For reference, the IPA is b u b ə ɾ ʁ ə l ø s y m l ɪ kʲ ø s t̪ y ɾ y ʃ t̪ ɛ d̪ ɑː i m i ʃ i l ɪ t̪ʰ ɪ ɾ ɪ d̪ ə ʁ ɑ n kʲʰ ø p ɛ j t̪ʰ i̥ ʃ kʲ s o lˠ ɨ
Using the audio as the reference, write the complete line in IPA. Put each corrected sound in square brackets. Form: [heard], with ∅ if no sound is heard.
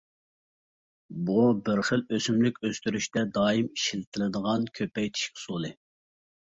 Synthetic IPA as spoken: b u b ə ɾ [χ] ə l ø s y m l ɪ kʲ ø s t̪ y ɾ y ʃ t̪ ɛ d̪ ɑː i m i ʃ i l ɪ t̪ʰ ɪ [l] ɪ d̪ ə ʁ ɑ n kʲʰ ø p ɛ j t̪ʰ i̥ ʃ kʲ s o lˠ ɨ